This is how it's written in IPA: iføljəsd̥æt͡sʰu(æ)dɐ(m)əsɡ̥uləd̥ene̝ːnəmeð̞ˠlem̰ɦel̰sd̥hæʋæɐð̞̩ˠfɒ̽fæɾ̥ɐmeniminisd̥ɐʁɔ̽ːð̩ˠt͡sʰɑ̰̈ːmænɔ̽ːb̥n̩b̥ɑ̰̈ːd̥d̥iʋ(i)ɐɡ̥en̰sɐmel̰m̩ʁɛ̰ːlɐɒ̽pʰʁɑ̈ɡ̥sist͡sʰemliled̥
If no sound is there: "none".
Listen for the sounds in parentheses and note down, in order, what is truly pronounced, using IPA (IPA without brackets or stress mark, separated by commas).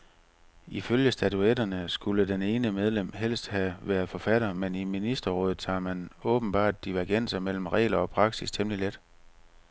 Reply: e, n, æ